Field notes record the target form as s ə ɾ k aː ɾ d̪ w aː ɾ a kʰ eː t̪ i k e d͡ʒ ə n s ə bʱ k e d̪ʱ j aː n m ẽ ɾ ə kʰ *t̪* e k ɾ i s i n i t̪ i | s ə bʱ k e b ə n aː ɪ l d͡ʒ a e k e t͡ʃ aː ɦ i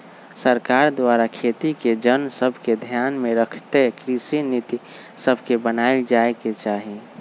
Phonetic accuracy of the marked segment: correct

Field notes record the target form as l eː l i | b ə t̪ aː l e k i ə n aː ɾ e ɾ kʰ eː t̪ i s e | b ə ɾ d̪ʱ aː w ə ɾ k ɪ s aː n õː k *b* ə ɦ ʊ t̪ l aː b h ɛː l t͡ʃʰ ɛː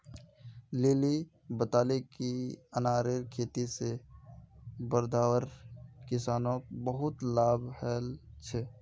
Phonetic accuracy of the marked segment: correct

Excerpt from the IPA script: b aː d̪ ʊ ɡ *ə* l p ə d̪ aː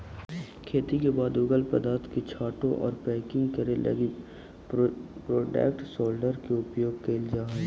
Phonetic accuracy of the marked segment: correct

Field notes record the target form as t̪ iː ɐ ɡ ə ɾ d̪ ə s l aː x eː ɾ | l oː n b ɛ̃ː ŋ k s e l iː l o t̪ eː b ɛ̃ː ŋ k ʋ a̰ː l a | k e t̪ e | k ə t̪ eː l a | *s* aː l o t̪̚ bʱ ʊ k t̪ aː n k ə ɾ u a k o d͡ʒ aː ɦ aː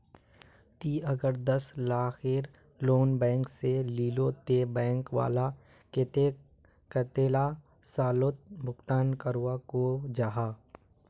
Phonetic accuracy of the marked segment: correct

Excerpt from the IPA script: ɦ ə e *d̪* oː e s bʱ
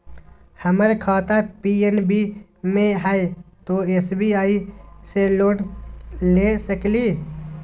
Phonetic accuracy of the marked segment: incorrect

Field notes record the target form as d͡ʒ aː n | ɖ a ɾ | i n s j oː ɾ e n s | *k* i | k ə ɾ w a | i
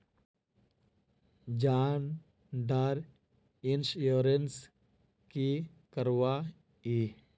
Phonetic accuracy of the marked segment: correct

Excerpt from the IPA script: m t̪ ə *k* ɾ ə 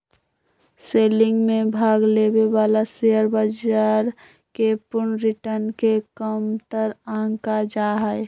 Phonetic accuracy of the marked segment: incorrect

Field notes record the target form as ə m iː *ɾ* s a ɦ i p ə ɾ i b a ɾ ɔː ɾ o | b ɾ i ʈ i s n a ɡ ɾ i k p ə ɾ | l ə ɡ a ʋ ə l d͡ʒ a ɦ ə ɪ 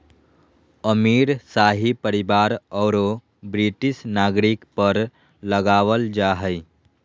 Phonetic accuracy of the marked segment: correct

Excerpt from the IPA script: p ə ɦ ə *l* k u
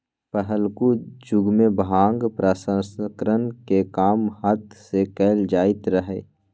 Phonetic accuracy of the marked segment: correct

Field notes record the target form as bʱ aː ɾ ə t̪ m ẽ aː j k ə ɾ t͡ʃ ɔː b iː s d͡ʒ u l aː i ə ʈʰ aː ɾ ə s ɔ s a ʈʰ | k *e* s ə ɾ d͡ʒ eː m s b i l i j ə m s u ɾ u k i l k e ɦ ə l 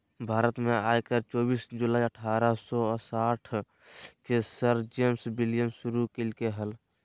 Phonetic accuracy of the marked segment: correct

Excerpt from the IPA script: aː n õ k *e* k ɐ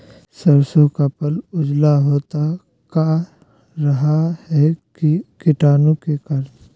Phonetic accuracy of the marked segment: correct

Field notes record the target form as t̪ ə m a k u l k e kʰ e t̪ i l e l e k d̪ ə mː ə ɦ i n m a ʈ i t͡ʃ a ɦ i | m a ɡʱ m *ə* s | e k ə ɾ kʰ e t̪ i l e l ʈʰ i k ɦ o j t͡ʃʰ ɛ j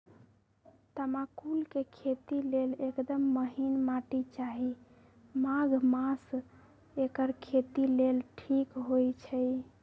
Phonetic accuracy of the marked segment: incorrect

